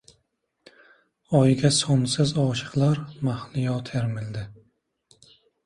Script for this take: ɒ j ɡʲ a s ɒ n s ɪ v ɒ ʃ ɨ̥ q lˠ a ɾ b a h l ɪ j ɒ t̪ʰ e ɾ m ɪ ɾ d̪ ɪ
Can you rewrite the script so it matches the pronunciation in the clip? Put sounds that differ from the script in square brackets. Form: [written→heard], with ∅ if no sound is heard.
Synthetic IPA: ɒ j ɡʲ a s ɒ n s ɪ [v→z] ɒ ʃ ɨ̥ q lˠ a ɾ [b→m] a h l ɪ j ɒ t̪ʰ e ɾ m ɪ [ɾ→l] d̪ ɪ

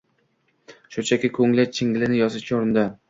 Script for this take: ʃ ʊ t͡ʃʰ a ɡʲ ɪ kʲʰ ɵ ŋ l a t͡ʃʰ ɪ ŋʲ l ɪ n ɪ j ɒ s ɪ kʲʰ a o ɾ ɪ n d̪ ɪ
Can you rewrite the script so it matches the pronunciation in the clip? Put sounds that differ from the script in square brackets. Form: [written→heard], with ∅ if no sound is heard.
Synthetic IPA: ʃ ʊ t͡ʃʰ a [ɡʲ→kʲ] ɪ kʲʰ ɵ ŋ l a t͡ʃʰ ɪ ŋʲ l ɪ n ɪ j ɒ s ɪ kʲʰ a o ɾ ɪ n d̪ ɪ

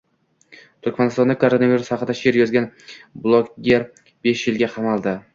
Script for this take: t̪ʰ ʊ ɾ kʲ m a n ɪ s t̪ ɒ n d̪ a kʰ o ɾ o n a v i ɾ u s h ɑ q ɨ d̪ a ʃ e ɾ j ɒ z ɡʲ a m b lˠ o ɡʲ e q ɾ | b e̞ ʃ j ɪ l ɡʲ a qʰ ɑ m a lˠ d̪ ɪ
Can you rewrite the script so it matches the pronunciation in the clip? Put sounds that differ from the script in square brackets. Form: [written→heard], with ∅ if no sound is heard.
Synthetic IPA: t̪ʰ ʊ ɾ kʲ m a n ɪ s t̪ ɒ n d̪ a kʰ o ɾ o n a v i ɾ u s h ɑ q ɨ d̪ a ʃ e ɾ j ɒ z ɡʲ a [m→n] b lˠ o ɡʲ e [q→∅] ɾ | b e̞ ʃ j ɪ l ɡʲ a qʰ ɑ m a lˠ d̪ ɪ

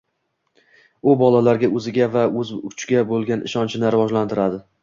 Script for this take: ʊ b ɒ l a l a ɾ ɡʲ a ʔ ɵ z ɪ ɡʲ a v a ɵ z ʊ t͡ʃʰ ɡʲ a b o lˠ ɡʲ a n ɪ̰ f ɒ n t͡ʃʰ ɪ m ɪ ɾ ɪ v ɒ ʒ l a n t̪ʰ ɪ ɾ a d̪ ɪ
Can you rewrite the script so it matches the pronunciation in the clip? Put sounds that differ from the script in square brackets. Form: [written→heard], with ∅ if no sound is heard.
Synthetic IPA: ʊ b ɒ l a l a ɾ ɡʲ a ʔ ɵ z ɪ ɡʲ a v a ɵ z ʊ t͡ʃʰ ɡʲ a b o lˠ ɡʲ a n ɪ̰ [f→ʃ] ɒ n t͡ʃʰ ɪ [m→n] ɪ ɾ ɪ v ɒ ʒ l a n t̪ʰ ɪ ɾ a d̪ ɪ

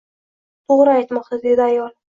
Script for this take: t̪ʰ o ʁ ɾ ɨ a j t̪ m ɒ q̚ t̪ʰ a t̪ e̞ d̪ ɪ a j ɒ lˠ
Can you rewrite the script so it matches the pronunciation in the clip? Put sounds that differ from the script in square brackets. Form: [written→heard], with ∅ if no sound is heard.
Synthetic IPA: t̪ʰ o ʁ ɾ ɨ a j t̪ m ɒ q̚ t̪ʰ a [t̪→d̪] e̞ d̪ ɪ a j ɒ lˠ

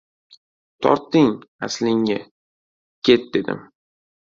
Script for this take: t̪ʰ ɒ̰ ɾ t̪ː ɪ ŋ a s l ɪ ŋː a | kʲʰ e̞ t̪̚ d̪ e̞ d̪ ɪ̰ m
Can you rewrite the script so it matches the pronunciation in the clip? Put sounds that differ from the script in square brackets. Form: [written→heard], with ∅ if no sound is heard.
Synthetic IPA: t̪ʰ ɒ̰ ɾ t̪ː ɪ ŋ a s l ɪ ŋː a | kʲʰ e̞ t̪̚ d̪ e̞ d̪ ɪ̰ m

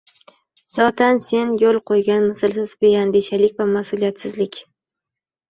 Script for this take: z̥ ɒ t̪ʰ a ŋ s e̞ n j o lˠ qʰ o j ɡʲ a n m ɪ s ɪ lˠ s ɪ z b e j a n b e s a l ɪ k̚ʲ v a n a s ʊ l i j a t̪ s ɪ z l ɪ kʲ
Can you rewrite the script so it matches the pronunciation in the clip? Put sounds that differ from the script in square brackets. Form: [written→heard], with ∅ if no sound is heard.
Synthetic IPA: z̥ ɒ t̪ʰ a [ŋ→n] s e̞ n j o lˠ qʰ o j ɡʲ a n m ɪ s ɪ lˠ s ɪ z b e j a n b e [s→ʃ] a l ɪ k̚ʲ v a [n→m] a s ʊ l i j a t̪ s ɪ z l ɪ kʲ

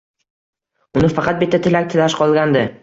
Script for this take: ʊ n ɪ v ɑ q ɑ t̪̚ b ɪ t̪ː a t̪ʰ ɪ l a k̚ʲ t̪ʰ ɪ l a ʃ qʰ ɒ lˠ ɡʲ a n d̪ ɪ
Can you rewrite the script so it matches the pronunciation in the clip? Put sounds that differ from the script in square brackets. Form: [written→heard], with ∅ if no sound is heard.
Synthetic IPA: ʊ n ɪ [v→f] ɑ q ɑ t̪̚ b ɪ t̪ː a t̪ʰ ɪ l a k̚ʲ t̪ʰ ɪ l a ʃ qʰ ɒ lˠ ɡʲ a n d̪ ɪ

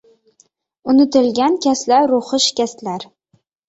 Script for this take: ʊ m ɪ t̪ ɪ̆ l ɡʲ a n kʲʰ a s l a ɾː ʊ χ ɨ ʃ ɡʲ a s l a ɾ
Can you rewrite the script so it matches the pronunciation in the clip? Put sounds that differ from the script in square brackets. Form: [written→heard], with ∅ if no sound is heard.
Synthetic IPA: ʊ [m→n] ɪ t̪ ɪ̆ l ɡʲ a n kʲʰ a s l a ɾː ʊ χ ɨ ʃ [ɡʲ→kʲ] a s l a ɾ

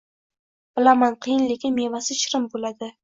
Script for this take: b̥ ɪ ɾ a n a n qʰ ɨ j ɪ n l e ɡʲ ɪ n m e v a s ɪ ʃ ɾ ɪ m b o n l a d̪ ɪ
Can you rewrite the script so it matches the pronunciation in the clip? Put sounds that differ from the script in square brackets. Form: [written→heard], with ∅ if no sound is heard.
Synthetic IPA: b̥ ɪ [ɾ→l] a [n→m] a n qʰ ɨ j ɪ n l e [ɡʲ→kʲ] ɪ n m e v a s ɪ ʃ ɾ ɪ m b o [n→∅] l a d̪ ɪ

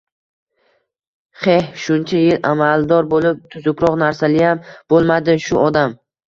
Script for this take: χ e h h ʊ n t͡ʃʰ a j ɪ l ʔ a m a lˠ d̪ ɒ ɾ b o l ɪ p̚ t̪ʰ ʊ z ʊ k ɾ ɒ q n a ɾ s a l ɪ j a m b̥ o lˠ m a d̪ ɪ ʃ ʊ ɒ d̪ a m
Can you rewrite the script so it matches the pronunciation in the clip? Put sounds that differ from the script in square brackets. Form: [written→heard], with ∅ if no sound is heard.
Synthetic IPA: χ e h [h→ʃ] ʊ n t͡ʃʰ a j ɪ l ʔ a m a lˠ d̪ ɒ ɾ b o l ɪ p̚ t̪ʰ ʊ z ʊ k ɾ ɒ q n a ɾ s a l ɪ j a m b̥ o lˠ m a d̪ ɪ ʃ ʊ ɒ d̪ a m

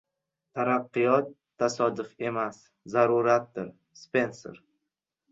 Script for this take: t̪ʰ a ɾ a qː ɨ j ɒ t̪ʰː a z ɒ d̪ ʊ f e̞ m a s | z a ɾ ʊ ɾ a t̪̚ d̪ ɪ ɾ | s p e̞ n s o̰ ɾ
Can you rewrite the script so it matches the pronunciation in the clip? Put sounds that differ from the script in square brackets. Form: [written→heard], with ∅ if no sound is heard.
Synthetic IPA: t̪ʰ a ɾ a qː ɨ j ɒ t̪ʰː a [z→s] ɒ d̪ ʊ f e̞ m a s | z a ɾ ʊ ɾ a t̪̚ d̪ ɪ ɾ | s p e̞ n s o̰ ɾ

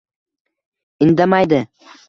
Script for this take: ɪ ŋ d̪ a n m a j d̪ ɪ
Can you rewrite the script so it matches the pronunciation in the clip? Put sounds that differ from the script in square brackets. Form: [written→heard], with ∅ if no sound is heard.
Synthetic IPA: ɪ [ŋ→n] d̪ a [n→∅] m a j d̪ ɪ

